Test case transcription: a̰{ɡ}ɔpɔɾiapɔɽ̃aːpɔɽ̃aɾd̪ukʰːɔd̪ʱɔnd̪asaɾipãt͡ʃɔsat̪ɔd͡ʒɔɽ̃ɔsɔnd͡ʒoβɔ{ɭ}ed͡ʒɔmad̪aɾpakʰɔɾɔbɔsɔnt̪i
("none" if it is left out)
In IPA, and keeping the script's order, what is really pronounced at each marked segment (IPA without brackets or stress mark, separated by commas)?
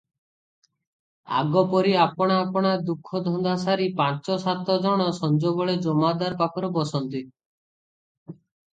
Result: ɡ, ɭ